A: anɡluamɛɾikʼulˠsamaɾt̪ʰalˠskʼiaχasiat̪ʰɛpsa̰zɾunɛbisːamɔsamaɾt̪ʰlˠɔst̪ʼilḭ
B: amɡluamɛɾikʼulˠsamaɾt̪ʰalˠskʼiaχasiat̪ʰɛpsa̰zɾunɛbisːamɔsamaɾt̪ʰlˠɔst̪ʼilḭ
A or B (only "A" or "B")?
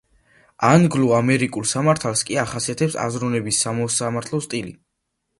A